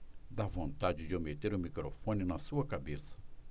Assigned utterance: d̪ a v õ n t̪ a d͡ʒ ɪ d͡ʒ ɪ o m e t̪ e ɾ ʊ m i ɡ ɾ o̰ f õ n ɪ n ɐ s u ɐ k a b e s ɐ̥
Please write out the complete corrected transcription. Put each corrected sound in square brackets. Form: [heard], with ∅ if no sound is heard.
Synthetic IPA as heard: d̪ a v õ n t̪ a d͡ʒ ɪ d͡ʒ ɪ o m e t̪ e ɾ ʊ m i [k] ɾ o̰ f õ n ɪ n ɐ s u ɐ k a b e s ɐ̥